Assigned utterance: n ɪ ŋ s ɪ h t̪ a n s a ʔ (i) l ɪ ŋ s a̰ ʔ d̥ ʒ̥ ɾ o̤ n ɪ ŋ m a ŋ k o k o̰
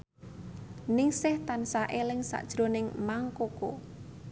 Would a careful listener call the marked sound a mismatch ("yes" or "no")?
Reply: yes